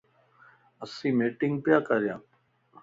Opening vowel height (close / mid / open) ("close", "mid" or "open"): mid